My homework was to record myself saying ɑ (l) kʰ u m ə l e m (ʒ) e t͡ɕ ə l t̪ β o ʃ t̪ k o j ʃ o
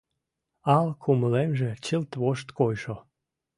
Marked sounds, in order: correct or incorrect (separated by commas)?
correct, correct